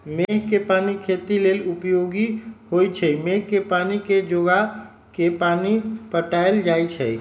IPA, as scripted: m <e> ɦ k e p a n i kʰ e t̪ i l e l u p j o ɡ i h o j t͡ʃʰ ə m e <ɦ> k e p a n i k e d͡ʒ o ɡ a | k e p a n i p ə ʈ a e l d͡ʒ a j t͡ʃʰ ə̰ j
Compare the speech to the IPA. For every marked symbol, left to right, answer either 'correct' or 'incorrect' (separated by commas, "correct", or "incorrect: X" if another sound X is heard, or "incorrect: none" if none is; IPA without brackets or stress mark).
correct, correct